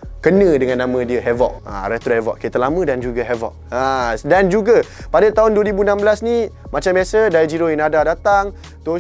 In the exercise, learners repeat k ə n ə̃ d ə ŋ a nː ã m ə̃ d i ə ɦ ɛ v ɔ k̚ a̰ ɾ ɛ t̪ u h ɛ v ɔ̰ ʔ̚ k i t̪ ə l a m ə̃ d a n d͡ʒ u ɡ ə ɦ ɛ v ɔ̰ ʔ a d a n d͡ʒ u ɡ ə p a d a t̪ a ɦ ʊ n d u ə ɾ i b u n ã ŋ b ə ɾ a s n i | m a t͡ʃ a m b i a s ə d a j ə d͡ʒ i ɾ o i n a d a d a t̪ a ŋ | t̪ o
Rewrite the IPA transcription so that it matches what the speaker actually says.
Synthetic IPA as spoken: k ə n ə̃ d ə ŋ a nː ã m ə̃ d i ə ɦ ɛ v ɔ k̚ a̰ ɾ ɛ t̪ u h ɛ v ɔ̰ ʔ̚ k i t̪ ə l a m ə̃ d a n d͡ʒ u ɡ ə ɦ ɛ v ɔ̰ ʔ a d a n d͡ʒ u ɡ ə p a d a t̪ a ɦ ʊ n d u ə ɾ i b u n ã m b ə l a s n i | m a t͡ʃ a m b i a s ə d a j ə d͡ʒ i ɾ o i n a d a d a t̪ a ŋ | t̪ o